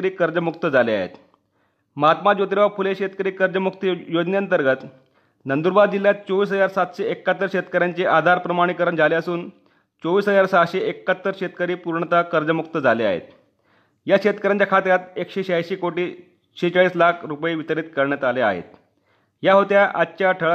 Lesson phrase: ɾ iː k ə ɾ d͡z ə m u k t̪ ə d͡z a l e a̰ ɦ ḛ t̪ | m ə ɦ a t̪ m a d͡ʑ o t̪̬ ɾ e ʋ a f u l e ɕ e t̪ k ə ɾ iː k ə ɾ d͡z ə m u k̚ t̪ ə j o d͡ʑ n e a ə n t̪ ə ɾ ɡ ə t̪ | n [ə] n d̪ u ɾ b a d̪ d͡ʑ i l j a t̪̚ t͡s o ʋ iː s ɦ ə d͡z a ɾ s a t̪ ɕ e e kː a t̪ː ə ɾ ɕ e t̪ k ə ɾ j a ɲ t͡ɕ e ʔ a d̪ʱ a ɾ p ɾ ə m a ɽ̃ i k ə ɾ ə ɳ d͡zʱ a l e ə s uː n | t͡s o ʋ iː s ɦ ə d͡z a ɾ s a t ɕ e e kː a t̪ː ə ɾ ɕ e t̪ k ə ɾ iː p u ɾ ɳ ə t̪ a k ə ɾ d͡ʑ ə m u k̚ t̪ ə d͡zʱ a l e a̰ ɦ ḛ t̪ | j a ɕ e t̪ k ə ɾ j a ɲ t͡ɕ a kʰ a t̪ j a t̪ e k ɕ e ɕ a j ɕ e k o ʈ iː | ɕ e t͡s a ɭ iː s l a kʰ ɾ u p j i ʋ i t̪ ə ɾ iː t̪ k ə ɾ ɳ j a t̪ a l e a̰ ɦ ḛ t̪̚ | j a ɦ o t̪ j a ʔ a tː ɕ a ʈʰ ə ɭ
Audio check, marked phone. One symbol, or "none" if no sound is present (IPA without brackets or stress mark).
ə